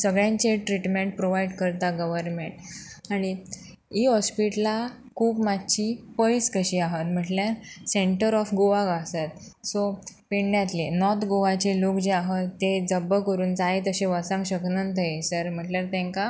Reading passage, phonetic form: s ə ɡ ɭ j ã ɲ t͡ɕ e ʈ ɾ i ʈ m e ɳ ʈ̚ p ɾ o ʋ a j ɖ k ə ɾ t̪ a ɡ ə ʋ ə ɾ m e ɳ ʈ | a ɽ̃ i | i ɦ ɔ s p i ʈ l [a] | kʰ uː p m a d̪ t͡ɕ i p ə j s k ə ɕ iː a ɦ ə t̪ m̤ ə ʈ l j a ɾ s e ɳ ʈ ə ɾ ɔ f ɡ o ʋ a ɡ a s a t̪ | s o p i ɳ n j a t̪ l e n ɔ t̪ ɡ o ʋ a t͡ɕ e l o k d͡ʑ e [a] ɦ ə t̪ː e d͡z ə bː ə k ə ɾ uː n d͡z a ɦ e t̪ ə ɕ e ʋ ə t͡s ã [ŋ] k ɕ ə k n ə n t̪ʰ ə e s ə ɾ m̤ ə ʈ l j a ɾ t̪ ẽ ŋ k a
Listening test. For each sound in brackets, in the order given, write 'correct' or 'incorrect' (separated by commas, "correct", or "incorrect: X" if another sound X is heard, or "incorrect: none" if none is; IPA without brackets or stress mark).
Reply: correct, correct, correct